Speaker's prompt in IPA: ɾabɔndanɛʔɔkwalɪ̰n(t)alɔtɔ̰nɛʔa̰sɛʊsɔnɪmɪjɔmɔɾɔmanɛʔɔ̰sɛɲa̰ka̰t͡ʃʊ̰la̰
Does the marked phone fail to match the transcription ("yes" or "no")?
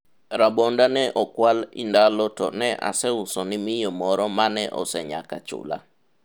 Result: yes